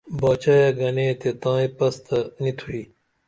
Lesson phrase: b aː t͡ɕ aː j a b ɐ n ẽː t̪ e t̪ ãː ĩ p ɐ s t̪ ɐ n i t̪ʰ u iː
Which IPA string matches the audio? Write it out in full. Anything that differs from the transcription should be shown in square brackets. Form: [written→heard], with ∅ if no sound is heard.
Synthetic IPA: b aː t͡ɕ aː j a [b→ɡ] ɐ n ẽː t̪ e t̪ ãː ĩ p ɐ s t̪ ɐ n i t̪ʰ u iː